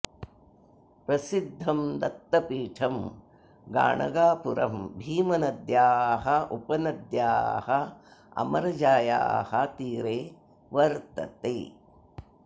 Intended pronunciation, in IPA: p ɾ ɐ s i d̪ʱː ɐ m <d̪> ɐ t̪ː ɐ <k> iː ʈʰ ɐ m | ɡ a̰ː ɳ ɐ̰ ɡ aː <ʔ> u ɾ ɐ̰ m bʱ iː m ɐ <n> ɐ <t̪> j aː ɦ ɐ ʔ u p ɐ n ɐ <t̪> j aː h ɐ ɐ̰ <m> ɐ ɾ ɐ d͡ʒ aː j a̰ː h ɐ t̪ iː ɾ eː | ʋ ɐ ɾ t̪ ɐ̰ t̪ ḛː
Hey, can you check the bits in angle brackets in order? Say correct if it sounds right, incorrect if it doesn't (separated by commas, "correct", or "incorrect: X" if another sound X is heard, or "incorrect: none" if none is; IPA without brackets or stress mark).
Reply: correct, incorrect: p, incorrect: p, correct, incorrect: d̪, incorrect: d̪, correct